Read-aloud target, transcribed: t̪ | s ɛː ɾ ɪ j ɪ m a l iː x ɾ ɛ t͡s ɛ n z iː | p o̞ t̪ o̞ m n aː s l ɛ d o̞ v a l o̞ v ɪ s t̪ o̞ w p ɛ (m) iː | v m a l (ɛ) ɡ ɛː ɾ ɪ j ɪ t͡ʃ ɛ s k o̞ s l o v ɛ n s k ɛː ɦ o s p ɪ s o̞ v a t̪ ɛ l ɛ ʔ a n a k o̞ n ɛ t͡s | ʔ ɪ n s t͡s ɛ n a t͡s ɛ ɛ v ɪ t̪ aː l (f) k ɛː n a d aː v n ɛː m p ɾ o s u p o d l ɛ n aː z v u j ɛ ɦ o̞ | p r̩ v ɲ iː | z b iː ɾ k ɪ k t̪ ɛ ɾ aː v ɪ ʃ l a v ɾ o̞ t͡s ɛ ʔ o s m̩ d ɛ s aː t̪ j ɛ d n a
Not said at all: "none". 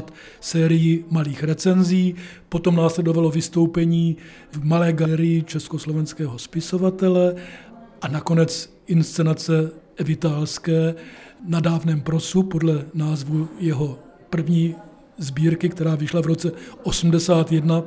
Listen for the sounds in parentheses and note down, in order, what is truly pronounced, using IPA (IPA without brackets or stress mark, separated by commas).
ɲ, ɛː, s